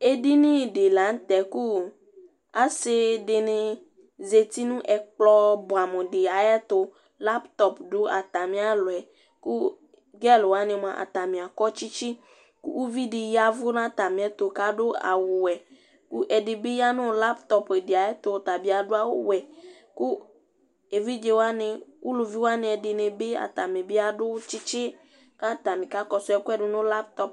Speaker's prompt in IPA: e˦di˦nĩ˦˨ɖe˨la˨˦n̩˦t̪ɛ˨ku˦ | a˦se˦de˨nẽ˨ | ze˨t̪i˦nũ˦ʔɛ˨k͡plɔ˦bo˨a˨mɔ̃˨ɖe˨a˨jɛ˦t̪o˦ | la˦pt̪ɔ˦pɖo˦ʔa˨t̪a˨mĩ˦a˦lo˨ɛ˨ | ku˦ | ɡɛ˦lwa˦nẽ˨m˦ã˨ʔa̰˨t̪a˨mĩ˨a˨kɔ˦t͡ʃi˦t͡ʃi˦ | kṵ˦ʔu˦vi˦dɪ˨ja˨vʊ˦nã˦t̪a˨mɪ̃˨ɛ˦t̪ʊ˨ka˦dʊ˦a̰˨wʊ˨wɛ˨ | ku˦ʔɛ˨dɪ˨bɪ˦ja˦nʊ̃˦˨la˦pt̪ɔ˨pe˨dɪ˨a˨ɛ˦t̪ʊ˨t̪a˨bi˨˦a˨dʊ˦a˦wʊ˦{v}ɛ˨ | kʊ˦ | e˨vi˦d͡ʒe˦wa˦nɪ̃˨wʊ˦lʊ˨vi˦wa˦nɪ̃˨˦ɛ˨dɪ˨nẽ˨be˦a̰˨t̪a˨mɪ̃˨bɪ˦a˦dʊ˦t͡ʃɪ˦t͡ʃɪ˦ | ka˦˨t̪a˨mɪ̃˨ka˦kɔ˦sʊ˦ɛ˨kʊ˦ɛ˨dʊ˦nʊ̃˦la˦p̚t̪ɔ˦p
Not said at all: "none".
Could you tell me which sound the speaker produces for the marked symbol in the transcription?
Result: w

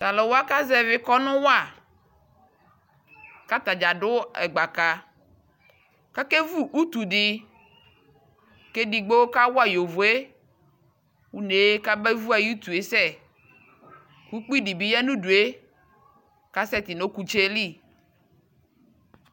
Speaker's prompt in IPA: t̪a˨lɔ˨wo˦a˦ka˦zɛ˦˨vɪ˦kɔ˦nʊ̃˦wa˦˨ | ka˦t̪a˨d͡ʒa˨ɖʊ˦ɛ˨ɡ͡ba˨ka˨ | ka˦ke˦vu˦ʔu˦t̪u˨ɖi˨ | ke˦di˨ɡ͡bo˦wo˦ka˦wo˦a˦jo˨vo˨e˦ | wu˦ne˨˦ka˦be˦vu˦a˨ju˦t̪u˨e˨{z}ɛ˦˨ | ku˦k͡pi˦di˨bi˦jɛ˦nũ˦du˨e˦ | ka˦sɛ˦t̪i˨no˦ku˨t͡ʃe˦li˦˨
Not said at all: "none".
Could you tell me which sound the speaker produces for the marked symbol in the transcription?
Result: s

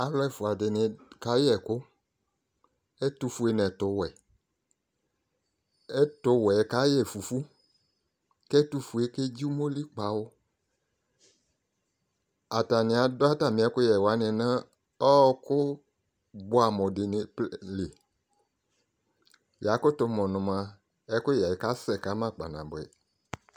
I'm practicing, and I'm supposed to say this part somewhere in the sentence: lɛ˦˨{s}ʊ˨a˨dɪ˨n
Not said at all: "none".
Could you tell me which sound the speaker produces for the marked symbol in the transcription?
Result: f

